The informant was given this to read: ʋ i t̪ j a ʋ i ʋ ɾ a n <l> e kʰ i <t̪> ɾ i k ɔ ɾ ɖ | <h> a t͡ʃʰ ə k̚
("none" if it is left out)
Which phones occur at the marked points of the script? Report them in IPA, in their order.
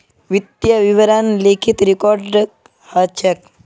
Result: l, t̪, h

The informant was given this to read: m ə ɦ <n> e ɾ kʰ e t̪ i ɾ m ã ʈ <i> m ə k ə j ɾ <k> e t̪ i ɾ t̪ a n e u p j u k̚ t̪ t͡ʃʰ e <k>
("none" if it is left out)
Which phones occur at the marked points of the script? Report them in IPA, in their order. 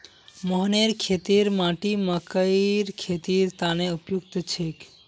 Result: n, i, kʰ, k

